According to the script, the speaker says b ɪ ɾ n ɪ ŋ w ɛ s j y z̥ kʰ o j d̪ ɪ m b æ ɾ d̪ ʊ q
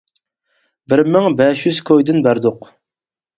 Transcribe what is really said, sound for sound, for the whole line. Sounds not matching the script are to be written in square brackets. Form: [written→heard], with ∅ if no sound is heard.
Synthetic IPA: b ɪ ɾ [n→m] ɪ ŋ [w→b] ɛ [s→ʃ] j y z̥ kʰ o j d̪ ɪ [m→n] b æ ɾ d̪ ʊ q